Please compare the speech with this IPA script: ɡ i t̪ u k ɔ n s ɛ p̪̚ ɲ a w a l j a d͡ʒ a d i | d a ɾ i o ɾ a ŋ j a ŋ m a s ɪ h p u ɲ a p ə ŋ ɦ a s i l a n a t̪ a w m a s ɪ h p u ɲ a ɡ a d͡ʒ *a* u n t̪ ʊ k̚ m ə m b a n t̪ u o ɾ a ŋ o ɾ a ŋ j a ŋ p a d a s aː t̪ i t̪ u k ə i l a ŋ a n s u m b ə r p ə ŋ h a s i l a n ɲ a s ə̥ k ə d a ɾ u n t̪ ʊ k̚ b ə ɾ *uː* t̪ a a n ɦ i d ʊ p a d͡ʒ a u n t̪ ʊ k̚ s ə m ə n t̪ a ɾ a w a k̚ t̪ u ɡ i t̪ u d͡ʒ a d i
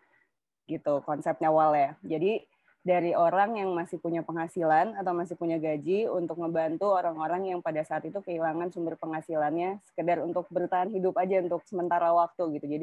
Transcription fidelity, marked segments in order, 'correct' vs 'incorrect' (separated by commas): incorrect, incorrect